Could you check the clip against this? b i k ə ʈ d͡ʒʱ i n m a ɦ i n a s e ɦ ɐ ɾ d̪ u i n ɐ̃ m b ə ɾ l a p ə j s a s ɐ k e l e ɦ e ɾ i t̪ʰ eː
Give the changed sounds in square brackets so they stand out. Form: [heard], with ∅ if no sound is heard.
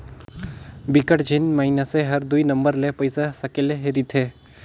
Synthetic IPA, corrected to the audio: b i k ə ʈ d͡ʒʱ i n m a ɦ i n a s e ɦ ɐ ɾ d̪ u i n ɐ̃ m b ə ɾ l [e] p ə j s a s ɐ k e l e ɦ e ɾ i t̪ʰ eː